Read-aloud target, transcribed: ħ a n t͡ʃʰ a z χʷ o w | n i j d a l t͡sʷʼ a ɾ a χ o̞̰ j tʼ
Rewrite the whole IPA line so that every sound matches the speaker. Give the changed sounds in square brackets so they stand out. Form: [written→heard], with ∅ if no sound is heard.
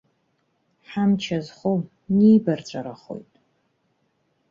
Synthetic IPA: ħ a [n→m] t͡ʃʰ a z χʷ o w | n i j [d→b] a [l→r] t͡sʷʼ a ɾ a χ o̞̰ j tʼ

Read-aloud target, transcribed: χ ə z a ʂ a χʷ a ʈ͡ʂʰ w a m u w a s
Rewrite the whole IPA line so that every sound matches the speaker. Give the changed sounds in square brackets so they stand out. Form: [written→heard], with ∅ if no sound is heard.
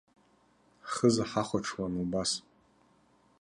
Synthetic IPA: χ ə z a [ʂ→ħ] a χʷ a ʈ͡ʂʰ w a [m→n] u [w→b] a s

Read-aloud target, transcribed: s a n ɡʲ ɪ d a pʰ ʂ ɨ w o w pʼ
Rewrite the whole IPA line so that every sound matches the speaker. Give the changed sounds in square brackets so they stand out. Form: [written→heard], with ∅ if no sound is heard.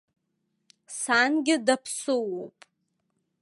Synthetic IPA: s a n ɡʲ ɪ d a pʰ [ʂ→s] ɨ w o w pʼ

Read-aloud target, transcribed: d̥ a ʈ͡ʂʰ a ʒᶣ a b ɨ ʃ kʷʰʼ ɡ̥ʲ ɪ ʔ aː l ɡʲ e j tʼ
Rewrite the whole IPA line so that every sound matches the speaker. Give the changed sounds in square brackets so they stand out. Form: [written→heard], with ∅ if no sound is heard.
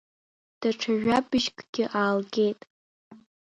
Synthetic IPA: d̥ a ʈ͡ʂʰ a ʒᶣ a b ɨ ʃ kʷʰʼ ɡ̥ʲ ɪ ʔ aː l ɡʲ e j tʼ

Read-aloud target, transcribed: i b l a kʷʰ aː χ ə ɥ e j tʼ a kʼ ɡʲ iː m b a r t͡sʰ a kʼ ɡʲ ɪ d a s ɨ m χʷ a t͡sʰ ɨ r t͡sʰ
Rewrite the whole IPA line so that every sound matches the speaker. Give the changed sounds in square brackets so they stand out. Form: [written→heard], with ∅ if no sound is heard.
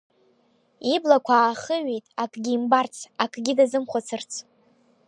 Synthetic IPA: i b l a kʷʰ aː χ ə ɥ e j tʼ a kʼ ɡʲ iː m b a r t͡sʰ a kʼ ɡʲ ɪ d a [s→z] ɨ m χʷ a t͡sʰ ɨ r t͡sʰ

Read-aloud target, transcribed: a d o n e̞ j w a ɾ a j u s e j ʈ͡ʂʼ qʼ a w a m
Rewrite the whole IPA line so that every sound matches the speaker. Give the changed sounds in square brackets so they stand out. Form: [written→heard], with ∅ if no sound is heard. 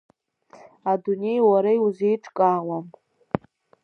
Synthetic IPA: a d [o→u] n e̞ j w a ɾ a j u [s→z] e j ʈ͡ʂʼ [qʼ→kʼ] a w a m

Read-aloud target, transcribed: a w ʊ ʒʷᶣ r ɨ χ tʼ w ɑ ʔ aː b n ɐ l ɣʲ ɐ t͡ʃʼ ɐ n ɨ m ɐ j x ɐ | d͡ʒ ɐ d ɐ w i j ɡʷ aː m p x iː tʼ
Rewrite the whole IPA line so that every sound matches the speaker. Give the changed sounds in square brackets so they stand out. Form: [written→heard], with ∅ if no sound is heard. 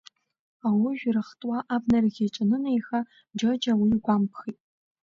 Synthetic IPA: a w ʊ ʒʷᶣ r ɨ χ tʼ w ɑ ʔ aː b n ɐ [l→r] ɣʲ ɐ t͡ʃʼ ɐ n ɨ [m→n] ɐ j x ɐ | d͡ʒ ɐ [d→d͡ʒ] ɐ w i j ɡʷ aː m p x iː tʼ

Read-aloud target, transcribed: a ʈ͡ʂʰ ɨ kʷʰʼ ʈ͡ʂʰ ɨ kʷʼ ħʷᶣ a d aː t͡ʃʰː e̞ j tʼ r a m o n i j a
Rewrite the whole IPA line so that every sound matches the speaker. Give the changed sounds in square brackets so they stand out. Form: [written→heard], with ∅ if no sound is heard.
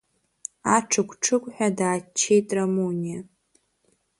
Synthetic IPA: a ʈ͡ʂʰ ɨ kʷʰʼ ʈ͡ʂʰ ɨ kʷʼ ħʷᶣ a d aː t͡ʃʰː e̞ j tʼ r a m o n i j a

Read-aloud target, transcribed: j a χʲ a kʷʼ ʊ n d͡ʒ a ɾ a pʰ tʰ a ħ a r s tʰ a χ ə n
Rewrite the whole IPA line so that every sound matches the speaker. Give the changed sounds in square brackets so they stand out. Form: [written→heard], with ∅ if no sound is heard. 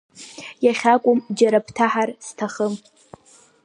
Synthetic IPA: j a χʲ a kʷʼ ʊ [n→m] d͡ʒ a ɾ a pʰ tʰ a ħ a r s tʰ a χ ə [n→m]

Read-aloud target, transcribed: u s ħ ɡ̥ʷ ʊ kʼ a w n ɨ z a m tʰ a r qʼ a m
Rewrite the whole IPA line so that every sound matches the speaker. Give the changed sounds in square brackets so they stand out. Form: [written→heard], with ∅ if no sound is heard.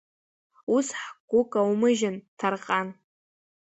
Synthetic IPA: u s ħ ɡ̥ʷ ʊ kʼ a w [n→m] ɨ [z→ʒ] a [m→n] tʰ a r qʼ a [m→n]

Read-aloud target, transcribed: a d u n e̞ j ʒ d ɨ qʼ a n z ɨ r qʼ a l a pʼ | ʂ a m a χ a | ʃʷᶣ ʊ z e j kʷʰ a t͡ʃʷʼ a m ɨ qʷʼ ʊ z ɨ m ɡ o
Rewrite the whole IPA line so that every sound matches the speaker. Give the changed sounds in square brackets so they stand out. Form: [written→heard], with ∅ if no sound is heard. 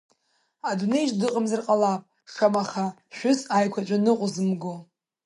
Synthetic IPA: a d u n e̞ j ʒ d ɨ qʼ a [n→m] z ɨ r qʼ a l a pʼ | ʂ a m a χ a | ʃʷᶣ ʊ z [e→a] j kʷʰ a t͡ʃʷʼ a [m→n] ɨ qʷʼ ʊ z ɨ m ɡ o

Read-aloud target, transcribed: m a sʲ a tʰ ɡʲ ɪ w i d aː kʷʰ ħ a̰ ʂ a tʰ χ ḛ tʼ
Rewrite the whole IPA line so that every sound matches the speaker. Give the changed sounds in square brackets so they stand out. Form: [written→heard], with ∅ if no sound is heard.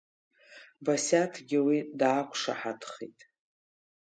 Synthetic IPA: [m→b] a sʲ a tʰ ɡʲ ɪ w i d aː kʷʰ [ħ→ʂ] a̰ [ʂ→ħ] a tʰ χ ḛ tʼ

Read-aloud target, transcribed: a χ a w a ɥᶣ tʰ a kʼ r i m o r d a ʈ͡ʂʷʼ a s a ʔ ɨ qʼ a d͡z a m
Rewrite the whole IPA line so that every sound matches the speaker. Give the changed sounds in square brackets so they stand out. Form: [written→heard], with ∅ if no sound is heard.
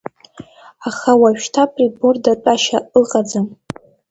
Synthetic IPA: a χ a w a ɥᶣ tʰ a [kʼ→pʼ] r i [m→b] o r d a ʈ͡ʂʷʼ a [s→ʃ] a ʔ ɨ qʼ a d͡z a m

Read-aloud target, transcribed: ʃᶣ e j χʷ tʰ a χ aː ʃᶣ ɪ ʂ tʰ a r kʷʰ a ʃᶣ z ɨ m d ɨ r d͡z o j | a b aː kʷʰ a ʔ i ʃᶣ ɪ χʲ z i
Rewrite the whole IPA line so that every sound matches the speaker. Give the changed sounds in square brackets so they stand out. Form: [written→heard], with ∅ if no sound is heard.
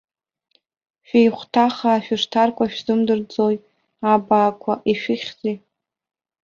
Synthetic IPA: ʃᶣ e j χʷ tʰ a χ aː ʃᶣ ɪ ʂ tʰ a r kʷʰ a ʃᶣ z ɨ m d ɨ r d͡z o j | a b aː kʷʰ a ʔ i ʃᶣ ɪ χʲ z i

